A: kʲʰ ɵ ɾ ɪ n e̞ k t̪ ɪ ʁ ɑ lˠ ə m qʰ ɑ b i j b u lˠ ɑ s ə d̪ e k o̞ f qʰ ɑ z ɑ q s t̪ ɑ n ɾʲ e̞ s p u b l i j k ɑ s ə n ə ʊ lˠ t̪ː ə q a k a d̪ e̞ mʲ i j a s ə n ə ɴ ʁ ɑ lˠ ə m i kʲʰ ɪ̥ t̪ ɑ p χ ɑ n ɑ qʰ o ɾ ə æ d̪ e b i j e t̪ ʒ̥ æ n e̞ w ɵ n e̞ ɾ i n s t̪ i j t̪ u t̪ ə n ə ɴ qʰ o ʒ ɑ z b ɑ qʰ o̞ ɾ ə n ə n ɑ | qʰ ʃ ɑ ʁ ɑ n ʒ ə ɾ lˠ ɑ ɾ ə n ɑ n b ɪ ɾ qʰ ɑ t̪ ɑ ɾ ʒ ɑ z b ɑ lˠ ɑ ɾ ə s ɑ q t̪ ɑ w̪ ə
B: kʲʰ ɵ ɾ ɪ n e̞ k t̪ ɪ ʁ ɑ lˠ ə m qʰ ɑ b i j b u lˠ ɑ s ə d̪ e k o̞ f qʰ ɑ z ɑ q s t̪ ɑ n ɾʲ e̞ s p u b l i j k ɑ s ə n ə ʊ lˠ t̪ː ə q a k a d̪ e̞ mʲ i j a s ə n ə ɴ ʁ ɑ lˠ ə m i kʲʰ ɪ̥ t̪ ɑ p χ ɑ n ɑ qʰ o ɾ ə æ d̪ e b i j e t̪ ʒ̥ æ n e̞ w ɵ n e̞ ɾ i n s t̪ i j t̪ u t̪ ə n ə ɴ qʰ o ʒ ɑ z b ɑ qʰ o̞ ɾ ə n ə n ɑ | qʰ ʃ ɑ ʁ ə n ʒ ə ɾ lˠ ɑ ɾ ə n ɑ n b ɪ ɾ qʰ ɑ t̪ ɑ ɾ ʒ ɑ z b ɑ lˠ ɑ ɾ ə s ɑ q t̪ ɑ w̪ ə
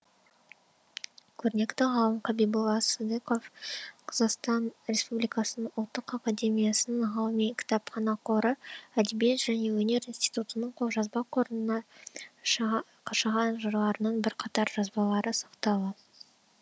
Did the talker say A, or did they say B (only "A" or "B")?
A